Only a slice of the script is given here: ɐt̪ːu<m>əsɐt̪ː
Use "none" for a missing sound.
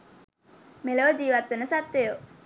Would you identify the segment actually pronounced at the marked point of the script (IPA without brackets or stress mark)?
n